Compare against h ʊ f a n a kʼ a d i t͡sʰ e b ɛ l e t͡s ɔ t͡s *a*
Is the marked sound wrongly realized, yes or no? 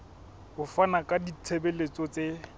yes